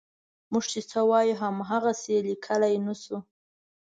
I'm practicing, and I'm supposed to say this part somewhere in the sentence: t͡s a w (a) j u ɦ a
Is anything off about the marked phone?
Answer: yes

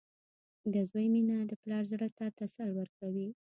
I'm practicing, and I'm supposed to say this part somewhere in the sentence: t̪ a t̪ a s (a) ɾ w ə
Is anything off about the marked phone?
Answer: no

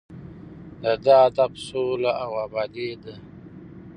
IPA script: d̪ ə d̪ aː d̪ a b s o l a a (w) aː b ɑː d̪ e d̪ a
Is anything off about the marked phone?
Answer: no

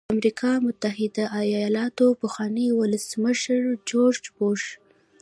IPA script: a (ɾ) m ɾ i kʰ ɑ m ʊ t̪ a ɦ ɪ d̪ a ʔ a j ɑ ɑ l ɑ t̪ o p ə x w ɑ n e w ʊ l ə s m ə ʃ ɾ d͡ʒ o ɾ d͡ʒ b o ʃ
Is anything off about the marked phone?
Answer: yes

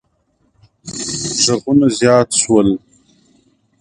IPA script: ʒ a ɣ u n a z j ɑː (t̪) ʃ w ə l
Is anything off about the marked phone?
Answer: no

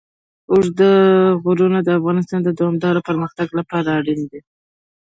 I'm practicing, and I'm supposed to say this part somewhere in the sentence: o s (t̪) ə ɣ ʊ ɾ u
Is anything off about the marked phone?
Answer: yes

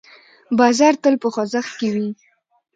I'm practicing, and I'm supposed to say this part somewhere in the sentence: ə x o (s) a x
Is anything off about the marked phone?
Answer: yes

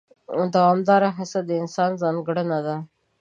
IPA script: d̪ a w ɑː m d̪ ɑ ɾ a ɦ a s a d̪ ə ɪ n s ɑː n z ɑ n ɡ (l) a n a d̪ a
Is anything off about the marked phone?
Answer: yes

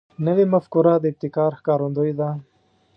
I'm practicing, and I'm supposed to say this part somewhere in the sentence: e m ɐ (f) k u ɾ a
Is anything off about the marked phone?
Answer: no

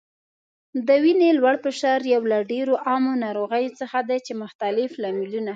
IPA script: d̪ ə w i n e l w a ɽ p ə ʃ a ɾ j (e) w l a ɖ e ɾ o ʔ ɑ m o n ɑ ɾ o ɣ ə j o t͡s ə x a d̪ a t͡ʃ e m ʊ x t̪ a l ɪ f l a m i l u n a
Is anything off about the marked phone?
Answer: yes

